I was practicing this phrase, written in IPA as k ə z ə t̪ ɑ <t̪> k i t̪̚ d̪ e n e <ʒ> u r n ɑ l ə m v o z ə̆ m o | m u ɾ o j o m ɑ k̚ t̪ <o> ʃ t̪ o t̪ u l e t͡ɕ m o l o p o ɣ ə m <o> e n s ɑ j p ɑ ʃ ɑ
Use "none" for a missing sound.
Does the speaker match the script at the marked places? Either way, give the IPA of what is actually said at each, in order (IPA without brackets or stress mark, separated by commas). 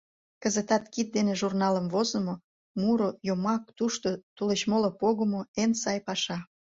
t̪, ʒ, u, o